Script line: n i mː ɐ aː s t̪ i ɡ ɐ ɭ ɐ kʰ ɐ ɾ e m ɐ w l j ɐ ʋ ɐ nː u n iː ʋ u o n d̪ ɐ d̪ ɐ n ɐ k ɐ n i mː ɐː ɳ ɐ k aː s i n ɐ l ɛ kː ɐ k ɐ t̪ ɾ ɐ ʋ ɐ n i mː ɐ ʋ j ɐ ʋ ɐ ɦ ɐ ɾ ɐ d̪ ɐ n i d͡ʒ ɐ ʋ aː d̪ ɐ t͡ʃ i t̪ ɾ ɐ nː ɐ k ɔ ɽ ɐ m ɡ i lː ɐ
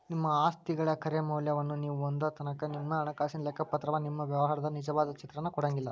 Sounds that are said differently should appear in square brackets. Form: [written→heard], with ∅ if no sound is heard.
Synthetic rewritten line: n i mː ɐ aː s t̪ i ɡ ɐ ɭ ɐ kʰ ɐ ɾ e m ɐ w l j ɐ ʋ ɐ nː u n iː ʋ u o n d̪ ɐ [d̪→t̪] ɐ n ɐ k ɐ n i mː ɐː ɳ ɐ k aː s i n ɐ l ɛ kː ɐ [k→p] ɐ t̪ ɾ ɐ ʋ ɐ n i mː ɐ ʋ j ɐ ʋ ɐ ɦ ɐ ɾ ɐ d̪ ɐ n i d͡ʒ ɐ ʋ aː d̪ ɐ t͡ʃ i t̪ ɾ ɐ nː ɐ k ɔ ɽ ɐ [m→ŋ] ɡ i lː ɐ

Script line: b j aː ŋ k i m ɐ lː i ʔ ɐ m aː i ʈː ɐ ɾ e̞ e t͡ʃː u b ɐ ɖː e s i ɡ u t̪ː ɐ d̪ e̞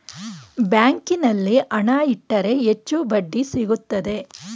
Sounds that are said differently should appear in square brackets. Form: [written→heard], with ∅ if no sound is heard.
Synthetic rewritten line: b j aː ŋ k i [m→n] ɐ lː i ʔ ɐ [m→ɳ] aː i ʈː ɐ ɾ e̞ e t͡ʃː u b ɐ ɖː [e→i] s i ɡ u t̪ː ɐ d̪ e̞

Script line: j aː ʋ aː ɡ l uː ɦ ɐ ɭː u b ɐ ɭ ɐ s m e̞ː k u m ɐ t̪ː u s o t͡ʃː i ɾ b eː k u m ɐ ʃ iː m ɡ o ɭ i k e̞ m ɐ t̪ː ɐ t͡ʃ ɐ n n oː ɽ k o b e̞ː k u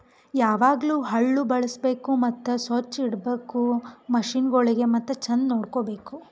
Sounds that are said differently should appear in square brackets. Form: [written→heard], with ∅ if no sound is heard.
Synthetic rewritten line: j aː ʋ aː ɡ l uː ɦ ɐ ɭː u b ɐ ɭ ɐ s [m→b] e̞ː k u m ɐ t̪ː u s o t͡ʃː i [ɾ→ɽ] b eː k u m ɐ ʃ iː [m→n] ɡ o ɭ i [k→ɡ] e̞ m ɐ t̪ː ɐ t͡ʃ ɐ n n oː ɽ k o b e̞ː k u

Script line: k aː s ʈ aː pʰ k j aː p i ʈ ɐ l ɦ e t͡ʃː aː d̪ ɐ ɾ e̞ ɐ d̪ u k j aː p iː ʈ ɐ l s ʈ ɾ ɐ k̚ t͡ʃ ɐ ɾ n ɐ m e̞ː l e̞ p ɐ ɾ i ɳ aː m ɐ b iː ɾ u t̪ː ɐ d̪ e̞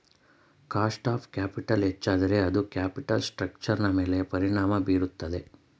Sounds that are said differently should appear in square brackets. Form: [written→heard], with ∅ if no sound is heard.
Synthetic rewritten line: k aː s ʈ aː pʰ k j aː p i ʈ ɐ l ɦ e t͡ʃː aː d̪ ɐ ɾ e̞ ɐ d̪ u k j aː p [iː→i] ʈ ɐ l s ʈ ɾ ɐ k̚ t͡ʃ ɐ ɾ n ɐ m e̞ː l e̞ p ɐ ɾ i ɳ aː m ɐ b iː ɾ u t̪ː ɐ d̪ e̞

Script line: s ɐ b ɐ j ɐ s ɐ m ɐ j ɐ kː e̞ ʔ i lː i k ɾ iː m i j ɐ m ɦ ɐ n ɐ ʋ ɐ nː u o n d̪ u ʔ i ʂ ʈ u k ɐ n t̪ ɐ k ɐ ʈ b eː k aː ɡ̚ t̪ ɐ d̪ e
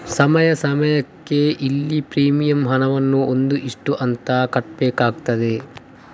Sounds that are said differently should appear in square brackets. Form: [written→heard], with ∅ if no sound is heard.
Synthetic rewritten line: s ɐ [b→m] ɐ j ɐ s ɐ m ɐ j ɐ kː e̞ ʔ i lː i [k→p] ɾ iː m i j ɐ m ɦ ɐ n ɐ ʋ ɐ nː u o n d̪ u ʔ i ʂ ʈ u [k→ʔ] ɐ n t̪ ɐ k ɐ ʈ b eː k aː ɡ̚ t̪ ɐ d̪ e

